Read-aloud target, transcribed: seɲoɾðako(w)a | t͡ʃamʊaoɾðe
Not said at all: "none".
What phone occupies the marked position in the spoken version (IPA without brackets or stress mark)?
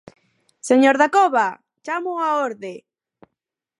β